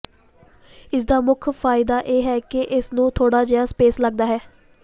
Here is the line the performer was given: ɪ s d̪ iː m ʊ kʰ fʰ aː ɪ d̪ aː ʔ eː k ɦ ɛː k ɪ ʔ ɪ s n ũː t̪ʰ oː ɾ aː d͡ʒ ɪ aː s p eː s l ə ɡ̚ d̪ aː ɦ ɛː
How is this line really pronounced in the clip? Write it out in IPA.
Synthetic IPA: ɪ s d̪ aː m ʊ kʰ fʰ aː ɪ d̪ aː ʔ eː ɦ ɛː k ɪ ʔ ɪ s n ũː t̪ʰ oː ɽ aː d͡ʒ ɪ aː s p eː s l ə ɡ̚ d̪ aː ɦ ɛː